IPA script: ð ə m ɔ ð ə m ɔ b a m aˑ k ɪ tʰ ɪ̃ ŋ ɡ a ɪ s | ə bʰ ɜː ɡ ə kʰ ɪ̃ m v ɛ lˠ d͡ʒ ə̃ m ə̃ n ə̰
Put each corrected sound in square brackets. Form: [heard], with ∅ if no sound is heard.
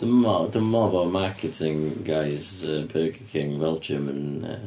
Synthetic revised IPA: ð ə m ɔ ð ə m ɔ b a m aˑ k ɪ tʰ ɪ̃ ŋ ɡ a ɪ [z] | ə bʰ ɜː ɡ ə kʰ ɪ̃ [ŋ] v ɛ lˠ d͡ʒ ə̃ m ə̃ n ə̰